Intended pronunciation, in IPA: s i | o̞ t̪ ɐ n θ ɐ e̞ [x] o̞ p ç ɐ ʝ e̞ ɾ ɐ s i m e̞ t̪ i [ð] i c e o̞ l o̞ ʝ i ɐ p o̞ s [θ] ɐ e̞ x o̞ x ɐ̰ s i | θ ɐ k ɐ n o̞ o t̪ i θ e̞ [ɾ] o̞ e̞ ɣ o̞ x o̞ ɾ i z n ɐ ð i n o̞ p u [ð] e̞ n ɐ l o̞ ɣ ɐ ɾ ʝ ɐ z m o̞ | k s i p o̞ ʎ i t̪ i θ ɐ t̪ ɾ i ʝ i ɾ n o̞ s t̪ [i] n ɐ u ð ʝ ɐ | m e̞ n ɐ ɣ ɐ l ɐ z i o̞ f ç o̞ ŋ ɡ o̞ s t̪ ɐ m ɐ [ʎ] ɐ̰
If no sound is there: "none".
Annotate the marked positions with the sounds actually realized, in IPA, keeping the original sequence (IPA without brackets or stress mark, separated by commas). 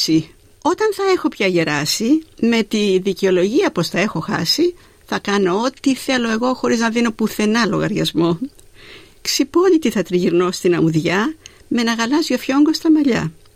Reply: x, ð, θ, l, θ, i, ʎ